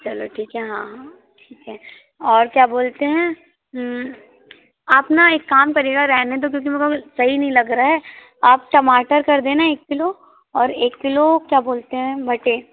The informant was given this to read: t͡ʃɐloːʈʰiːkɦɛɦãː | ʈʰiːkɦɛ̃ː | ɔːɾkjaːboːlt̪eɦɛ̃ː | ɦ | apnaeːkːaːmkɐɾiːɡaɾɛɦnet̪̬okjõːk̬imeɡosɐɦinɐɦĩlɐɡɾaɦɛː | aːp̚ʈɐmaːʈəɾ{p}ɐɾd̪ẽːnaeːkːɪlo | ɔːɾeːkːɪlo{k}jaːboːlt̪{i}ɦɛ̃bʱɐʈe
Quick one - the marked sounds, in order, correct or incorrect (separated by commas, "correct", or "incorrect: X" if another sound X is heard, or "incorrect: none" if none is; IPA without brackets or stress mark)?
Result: incorrect: k, correct, incorrect: e